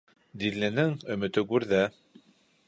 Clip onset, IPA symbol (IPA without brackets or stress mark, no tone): d̪